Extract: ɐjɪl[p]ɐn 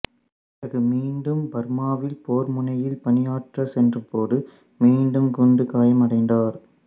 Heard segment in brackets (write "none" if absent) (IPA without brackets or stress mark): p